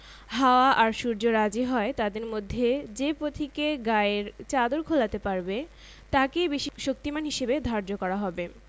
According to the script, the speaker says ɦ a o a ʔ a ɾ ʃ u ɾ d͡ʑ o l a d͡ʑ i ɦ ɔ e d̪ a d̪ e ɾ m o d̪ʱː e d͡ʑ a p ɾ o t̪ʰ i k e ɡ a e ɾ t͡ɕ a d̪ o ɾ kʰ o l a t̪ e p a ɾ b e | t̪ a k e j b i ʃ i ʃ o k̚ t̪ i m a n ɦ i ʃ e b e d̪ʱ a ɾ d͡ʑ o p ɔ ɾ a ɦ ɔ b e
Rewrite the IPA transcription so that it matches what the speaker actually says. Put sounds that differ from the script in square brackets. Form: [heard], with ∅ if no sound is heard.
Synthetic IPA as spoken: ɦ a o a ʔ a ɾ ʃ u ɾ d͡ʑ o [ɾ] a d͡ʑ i ɦ ɔ e [t̪] a d̪ e ɾ m o d̪ʱː e d͡ʑ [e] p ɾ o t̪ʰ i k e ɡ a e ɾ t͡ɕ a d̪ o ɾ kʰ o l a t̪ e p a ɾ b e | t̪ a k e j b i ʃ i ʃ o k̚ t̪ i m a n ɦ i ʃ e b e d̪ʱ a ɾ d͡ʑ o [k] ɔ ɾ a ɦ ɔ b e